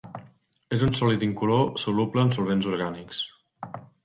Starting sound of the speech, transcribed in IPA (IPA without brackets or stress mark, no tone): e